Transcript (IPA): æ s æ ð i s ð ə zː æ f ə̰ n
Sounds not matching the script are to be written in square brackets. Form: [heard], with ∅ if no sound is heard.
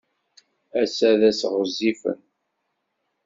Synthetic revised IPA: æ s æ ð [æ] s [ʁ] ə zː [i] f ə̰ n